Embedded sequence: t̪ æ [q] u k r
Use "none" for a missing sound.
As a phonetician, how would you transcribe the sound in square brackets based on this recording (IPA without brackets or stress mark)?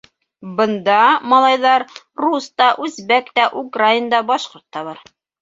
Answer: ʔ